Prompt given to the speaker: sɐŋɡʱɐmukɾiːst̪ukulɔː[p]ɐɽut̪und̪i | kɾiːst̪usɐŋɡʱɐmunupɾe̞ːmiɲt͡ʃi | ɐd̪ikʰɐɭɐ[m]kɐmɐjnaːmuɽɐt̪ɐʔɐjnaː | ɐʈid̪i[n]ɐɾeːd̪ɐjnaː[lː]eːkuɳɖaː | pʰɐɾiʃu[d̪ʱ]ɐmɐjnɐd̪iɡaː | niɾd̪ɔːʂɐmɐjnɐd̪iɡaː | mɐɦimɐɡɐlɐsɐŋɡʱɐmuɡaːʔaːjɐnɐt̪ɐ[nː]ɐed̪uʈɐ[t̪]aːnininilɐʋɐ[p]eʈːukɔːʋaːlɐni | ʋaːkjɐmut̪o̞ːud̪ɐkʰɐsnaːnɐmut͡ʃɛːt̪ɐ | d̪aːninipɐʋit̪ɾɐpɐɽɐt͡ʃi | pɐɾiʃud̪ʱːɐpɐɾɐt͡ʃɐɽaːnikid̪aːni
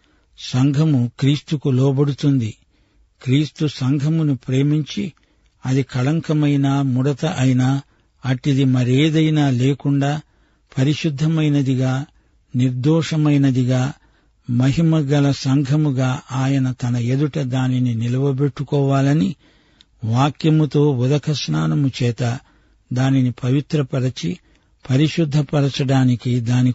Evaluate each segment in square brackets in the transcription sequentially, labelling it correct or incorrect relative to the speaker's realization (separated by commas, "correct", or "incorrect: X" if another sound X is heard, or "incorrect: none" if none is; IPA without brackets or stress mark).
incorrect: b, incorrect: ŋ, incorrect: m, incorrect: l, incorrect: d̪ʱː, incorrect: n, incorrect: d̪, incorrect: b